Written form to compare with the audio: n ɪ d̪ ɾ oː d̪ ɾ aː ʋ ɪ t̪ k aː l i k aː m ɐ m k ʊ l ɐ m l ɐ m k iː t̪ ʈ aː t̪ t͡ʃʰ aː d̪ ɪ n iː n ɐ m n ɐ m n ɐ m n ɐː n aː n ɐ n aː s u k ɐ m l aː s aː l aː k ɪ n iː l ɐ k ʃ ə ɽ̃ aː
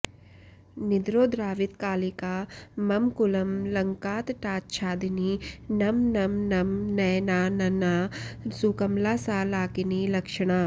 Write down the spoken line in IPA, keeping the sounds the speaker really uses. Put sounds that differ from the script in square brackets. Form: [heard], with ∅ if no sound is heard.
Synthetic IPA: n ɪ d̪ ɾ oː d̪ ɾ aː ʋ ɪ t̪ k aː l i k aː m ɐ m k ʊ l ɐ m l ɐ [ŋ] k [aː] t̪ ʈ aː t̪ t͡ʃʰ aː d̪ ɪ n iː n ɐ m n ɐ m n ɐ m n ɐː n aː n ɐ n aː s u k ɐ m l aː s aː l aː k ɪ n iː l ɐ k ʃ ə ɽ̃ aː